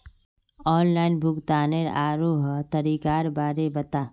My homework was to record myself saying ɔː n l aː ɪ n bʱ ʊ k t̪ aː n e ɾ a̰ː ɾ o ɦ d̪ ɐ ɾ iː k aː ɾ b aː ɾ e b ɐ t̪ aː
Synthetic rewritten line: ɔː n l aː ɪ n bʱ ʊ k t̪ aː n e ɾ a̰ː ɾ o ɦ t̪ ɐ ɾ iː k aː ɾ b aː ɾ e b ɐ t̪ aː